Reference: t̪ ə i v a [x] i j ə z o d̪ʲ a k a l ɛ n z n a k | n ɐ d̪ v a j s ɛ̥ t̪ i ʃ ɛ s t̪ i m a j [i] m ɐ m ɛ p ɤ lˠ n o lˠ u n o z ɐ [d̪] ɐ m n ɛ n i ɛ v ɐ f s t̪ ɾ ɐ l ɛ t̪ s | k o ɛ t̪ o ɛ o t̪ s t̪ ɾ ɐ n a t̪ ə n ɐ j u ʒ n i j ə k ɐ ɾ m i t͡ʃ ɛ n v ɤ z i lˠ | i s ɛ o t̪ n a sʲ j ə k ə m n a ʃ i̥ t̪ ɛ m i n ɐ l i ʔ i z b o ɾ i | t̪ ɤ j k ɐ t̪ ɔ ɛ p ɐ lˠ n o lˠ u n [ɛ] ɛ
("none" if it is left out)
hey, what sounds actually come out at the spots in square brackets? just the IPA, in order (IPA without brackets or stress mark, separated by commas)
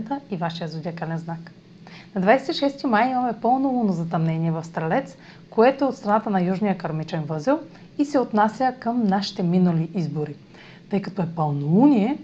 ʃ, i, t̪, i